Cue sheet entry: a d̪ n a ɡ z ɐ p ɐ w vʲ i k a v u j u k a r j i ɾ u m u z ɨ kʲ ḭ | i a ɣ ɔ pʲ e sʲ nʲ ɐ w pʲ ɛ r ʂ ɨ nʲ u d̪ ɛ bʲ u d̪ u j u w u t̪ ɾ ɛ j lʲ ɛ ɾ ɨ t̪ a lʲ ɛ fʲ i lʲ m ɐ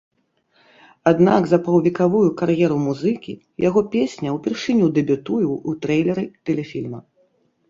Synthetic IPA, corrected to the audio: a d̪ n a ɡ z ɐ p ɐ w vʲ i k a v u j u k a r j ɛ ɾ u m u z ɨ kʲ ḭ | j a ɣ ɔ pʲ e sʲ nʲ ɐ w pʲ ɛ r ʂ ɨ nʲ u d̪ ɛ bʲ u t̪ u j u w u t̪ ɾ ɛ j lʲ ɛ ɾ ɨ t̪ ɛ lʲ ɛ fʲ i lʲ m ɐ